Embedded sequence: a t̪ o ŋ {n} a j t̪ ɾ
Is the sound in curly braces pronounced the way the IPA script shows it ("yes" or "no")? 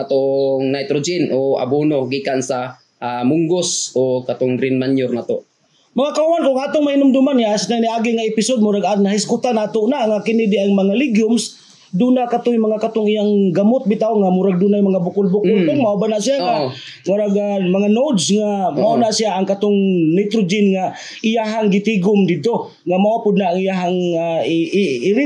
yes